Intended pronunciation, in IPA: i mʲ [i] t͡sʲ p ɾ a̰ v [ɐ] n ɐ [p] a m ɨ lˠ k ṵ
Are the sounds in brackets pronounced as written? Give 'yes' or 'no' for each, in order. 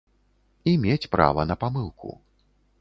no, yes, yes

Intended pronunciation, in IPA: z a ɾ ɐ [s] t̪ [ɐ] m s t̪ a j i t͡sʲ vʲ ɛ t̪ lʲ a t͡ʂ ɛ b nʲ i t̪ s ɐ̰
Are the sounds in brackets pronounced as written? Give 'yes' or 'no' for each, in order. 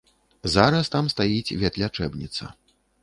yes, no

